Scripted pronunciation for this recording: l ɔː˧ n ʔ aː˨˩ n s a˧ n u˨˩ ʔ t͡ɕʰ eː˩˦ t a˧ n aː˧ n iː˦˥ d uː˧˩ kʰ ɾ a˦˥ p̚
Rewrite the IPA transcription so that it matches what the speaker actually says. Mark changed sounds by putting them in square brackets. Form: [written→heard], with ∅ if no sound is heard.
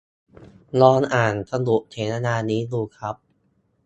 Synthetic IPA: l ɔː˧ n ʔ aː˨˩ n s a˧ n u˨˩ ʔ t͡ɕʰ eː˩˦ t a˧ n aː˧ n iː˦˥ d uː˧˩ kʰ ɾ a˦˥ p̚

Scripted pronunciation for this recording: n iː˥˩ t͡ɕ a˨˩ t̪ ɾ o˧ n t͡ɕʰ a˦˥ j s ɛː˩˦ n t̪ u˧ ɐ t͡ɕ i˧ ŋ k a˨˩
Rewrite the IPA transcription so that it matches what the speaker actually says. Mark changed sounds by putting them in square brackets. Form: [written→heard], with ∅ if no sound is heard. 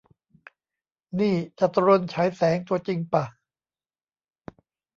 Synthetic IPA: n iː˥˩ t͡ɕ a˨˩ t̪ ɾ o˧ n t͡ɕʰ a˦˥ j s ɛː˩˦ [n→ŋ] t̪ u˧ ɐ t͡ɕ i˧ ŋ [k→p] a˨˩

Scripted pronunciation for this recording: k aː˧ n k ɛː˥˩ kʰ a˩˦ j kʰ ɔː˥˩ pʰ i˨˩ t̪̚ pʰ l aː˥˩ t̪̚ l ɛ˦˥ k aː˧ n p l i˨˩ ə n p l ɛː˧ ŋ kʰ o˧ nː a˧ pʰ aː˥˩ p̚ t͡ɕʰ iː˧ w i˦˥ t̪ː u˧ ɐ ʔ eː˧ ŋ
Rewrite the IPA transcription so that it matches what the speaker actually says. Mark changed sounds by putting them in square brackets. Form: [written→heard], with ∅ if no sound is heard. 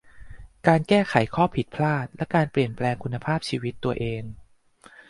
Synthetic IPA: k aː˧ n k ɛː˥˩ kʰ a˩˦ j kʰ ɔː˥˩ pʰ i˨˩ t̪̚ pʰ l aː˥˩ t̪̚ l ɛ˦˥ k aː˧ n p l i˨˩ ə n p l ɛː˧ ŋ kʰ [o˧→u˧] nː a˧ pʰ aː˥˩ p̚ t͡ɕʰ iː˧ w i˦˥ t̪ː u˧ ɐ ʔ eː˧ ŋ

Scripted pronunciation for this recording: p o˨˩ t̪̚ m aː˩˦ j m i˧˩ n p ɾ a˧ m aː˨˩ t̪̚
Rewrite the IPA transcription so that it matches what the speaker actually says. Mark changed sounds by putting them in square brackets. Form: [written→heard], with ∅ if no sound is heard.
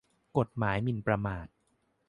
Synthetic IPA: [p→k] o˨˩ t̪̚ m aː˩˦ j m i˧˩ n p ɾ a˧ m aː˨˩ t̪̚

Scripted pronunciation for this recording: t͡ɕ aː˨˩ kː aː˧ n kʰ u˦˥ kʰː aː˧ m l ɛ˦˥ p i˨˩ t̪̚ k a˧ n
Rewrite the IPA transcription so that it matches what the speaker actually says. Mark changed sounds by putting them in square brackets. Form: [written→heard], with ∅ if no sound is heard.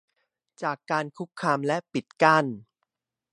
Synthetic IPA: t͡ɕ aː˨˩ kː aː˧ n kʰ u˦˥ kʰː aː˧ m l ɛ˦˥ p i˨˩ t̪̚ k [a˧→a˥˩] n

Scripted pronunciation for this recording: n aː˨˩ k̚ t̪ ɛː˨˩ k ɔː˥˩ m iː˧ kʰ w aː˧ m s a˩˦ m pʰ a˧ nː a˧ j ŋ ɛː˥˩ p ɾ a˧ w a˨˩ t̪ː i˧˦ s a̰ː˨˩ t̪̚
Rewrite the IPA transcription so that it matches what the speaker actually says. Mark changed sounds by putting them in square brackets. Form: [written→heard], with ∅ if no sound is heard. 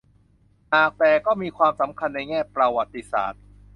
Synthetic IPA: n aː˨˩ k̚ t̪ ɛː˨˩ k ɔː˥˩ m iː˧ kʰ w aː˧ m s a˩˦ m [pʰ→kʰ] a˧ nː a˧ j ŋ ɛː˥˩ p ɾ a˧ w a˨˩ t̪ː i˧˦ s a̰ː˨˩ t̪̚

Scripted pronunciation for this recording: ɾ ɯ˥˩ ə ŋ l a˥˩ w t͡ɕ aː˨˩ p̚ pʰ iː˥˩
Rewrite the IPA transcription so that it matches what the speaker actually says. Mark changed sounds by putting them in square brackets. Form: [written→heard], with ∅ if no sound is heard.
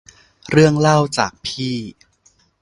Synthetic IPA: ɾ ɯ˥˩ ə ŋ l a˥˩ w t͡ɕ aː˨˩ [p̚→k̚] pʰ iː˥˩

